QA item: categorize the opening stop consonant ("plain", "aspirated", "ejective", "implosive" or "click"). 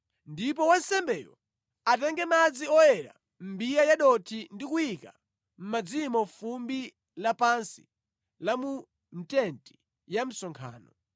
plain